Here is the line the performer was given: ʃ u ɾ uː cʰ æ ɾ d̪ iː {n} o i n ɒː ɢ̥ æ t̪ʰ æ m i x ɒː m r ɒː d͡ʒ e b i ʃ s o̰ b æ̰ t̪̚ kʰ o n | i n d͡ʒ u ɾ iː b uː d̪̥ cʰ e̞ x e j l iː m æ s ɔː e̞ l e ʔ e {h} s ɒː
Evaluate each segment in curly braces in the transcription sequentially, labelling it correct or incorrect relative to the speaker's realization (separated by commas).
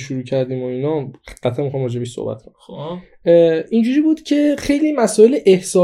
incorrect, correct